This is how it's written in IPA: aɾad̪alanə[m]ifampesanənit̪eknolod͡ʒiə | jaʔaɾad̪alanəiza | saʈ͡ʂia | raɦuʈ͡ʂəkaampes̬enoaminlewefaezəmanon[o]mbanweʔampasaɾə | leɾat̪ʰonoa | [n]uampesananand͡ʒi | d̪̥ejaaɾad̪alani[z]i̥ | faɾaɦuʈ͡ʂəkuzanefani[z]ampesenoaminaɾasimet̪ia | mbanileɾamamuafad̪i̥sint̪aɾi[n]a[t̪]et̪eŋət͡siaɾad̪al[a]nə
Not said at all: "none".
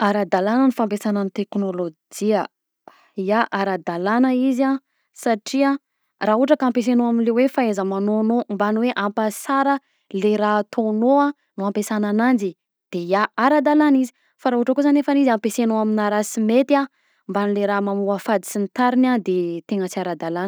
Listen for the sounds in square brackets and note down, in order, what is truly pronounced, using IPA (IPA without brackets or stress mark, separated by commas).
n, o, n, z, z, n, d̪, a